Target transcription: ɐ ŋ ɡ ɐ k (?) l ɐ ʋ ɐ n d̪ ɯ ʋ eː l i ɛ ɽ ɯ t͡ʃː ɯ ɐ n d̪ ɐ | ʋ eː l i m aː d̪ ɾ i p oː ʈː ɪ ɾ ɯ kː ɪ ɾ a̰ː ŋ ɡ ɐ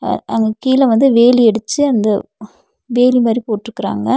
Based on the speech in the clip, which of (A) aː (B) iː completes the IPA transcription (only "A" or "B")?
B